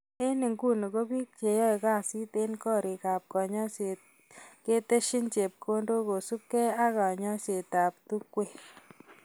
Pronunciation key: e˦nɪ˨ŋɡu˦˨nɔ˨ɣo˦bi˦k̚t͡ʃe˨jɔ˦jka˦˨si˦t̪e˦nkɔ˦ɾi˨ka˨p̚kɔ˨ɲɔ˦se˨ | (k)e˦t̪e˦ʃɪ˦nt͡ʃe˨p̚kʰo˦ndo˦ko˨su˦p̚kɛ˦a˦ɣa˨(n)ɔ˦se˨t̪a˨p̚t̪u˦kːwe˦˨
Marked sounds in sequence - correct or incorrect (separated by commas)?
correct, incorrect